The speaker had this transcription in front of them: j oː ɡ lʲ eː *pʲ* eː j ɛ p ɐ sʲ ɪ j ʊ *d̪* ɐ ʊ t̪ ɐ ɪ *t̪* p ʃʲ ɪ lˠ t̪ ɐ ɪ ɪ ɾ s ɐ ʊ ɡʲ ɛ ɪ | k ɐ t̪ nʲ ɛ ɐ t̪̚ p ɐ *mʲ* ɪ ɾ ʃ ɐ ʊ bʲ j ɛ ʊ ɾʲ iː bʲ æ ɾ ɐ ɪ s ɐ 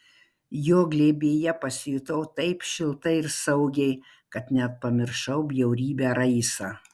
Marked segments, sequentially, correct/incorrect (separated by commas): incorrect, incorrect, incorrect, correct